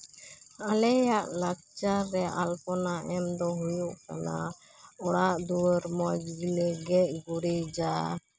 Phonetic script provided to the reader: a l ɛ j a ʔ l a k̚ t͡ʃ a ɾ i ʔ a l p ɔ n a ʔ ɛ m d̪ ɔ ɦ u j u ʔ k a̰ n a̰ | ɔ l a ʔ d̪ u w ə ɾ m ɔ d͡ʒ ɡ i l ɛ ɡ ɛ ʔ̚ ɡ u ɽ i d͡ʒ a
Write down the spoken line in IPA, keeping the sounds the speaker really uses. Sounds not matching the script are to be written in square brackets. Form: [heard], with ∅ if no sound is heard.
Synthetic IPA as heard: a l ɛ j a ʔ l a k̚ t͡ʃ a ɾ [ɛ] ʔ a l p ɔ n a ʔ ɛ m d̪ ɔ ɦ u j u ʔ k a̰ n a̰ | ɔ [ɽ] a ʔ d̪ u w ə ɾ m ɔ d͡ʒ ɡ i l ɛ ɡ ɛ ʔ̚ ɡ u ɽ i d͡ʒ a